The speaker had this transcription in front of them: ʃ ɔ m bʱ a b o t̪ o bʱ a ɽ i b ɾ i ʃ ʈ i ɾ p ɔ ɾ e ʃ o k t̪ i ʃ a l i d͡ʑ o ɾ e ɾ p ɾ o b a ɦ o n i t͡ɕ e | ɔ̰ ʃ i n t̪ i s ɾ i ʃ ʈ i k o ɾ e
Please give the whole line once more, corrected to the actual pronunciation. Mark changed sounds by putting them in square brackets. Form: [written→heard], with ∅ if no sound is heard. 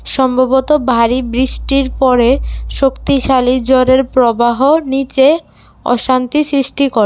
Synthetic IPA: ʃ ɔ m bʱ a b o t̪ o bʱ a [ɽ→ɾ] i b ɾ i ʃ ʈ i ɾ p ɔ ɾ e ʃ o k t̪ i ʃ a l i d͡ʑ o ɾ e ɾ p ɾ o b a ɦ o n i t͡ɕ e | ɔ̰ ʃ [i→a] n t̪ i s ɾ i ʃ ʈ i k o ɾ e